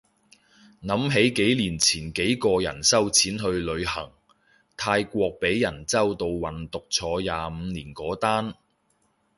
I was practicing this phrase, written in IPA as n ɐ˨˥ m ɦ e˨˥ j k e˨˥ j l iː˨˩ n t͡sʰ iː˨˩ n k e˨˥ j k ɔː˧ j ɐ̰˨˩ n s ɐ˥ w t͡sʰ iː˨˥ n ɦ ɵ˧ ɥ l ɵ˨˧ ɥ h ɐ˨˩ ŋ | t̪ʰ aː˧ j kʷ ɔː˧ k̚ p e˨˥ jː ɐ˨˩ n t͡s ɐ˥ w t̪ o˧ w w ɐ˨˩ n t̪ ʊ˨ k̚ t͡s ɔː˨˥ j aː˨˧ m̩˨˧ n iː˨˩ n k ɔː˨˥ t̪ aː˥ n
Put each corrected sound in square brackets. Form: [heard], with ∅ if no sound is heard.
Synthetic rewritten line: n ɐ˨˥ m ɦ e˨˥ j k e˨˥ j l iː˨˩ n t͡sʰ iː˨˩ n k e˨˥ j k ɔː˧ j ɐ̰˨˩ n s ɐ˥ w t͡sʰ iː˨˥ n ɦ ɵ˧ ɥ l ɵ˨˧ ɥ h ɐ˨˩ ŋ | t̪ʰ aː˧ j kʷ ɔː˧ k̚ p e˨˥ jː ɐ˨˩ n t͡s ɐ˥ w t̪ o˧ w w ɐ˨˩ n t̪ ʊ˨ k̚ [t͡sʰ] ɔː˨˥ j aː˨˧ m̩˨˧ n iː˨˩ n k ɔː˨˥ t̪ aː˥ n

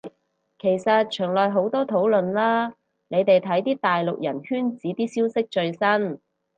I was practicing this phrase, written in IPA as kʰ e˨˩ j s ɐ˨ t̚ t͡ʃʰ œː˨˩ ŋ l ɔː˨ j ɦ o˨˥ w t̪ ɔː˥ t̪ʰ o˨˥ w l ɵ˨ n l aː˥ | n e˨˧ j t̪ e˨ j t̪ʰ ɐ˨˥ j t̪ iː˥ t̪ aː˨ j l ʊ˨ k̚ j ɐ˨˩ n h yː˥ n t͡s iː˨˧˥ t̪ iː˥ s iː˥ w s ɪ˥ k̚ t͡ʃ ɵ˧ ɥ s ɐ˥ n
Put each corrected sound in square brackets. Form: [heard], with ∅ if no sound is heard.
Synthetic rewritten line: kʰ e˨˩ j s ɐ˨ t̚ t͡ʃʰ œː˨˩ ŋ l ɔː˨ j ɦ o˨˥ w t̪ ɔː˥ t̪ʰ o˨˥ w l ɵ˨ n l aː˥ | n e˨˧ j t̪ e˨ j t̪ʰ ɐ˨˥ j t̪ iː˥ t̪ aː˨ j l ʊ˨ k̚ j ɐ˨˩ n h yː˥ n t͡s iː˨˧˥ t̪ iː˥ s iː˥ w s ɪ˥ k̚ t͡ʃ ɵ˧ ɥ s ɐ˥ n

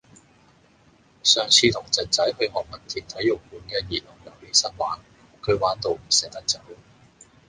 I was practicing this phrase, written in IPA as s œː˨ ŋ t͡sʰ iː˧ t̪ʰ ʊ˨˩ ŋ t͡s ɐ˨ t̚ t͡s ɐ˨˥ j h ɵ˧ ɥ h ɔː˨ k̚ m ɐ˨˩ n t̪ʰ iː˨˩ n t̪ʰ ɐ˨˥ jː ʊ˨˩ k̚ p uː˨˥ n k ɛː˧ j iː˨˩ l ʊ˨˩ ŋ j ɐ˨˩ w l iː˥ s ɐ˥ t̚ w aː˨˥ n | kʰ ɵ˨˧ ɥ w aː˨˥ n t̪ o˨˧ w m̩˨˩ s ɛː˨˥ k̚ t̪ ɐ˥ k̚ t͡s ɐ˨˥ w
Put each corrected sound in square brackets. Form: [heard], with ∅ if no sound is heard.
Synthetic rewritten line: s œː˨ ŋ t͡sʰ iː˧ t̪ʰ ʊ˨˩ ŋ t͡s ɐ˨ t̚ t͡s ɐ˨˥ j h ɵ˧ ɥ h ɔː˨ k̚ m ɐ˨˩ n t̪ʰ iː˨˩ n t̪ʰ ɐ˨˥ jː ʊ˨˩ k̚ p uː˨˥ n k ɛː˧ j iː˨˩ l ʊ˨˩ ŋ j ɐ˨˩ w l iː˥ s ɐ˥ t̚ w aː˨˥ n | kʰ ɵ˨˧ ɥ w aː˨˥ n t̪ o˨˧ w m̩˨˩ s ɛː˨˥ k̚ t̪ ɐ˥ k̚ t͡s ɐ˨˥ w

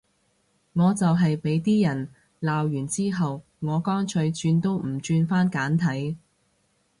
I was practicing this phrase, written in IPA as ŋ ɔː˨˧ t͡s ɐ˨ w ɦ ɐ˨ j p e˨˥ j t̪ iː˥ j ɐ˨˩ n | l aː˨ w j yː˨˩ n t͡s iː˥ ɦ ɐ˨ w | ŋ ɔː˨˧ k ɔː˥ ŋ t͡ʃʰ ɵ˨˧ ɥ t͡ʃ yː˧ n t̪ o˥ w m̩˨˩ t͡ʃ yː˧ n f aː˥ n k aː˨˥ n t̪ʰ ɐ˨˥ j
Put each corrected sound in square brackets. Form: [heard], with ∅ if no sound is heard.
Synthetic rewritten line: ŋ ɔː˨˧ t͡s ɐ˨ w ɦ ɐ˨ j p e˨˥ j t̪ iː˥ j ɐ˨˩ n | l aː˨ w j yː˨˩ n t͡s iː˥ ɦ ɐ˨ w | ŋ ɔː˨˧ k ɔː˥ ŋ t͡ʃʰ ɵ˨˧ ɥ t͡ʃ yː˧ n t̪ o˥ w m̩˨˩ t͡ʃ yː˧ n f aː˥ n k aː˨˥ n t̪ʰ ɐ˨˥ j

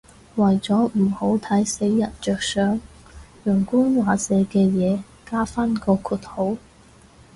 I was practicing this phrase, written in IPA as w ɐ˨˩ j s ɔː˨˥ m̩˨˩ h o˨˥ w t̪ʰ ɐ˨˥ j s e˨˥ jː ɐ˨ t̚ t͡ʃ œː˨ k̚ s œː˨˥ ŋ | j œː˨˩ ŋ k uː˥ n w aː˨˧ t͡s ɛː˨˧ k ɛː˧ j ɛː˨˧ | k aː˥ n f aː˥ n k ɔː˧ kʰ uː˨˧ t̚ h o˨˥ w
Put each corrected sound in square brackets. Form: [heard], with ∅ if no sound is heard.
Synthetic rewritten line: w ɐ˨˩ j [t͡s] ɔː˨˥ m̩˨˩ h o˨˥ w t̪ʰ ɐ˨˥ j s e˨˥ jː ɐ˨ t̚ t͡ʃ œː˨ k̚ s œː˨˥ ŋ | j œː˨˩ ŋ k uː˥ n w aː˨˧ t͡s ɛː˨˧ k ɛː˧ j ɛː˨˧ | k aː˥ [∅] f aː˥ n k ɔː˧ kʰ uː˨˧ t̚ h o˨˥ w

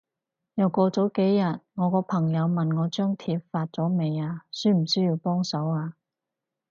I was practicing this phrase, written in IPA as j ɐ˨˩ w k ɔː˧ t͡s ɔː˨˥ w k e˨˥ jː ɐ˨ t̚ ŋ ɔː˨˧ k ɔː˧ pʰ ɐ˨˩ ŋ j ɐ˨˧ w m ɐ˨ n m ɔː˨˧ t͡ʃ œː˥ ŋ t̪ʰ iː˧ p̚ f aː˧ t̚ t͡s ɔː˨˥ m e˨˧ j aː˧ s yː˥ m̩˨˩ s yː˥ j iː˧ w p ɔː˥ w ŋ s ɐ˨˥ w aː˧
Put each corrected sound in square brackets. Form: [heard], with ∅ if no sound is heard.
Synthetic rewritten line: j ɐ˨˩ w k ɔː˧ t͡s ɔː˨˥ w k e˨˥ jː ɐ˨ t̚ ŋ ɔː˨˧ k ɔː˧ pʰ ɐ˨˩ ŋ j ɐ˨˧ w m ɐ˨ n [ŋ] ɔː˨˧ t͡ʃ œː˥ ŋ t̪ʰ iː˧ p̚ f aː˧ t̚ t͡s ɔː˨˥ m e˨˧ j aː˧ s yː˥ m̩˨˩ s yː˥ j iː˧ w p ɔː˥ [∅] ŋ s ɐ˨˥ w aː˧

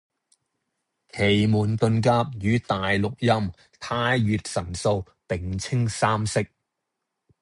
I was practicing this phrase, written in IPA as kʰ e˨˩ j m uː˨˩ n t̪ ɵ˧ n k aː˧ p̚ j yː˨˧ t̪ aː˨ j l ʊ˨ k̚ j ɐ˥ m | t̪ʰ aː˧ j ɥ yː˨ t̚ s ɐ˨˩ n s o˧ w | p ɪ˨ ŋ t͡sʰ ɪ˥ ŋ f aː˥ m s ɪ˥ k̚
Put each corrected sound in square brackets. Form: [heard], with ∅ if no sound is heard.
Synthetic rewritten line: kʰ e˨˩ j m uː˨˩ n t̪ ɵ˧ n k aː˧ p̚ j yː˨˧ t̪ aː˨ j l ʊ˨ k̚ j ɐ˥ m | t̪ʰ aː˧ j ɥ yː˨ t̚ s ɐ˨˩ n s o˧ w | p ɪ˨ ŋ t͡sʰ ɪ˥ ŋ [s] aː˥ m s ɪ˥ k̚

